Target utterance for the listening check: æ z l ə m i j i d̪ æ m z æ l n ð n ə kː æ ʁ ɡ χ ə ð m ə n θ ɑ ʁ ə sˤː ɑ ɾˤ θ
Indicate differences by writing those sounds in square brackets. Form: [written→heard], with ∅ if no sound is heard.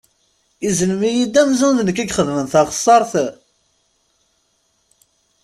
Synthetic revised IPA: [æ→i] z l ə m i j i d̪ æ m z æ [l→∅] n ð n ə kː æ [ʁ→∅] ɡ χ ə ð m ə n θ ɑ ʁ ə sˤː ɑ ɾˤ θ